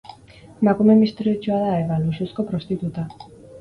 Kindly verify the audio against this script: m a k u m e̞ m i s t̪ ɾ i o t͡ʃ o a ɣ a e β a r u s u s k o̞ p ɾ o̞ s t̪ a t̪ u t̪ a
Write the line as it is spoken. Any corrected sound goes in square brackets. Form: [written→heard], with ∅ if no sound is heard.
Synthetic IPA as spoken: m a k u m e̞ m i s t̪ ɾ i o t͡ʃ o a [ɣ→ð] a e β a [r→l] u s u s k o̞ p ɾ o̞ s t̪ [a→i] t̪ u t̪ a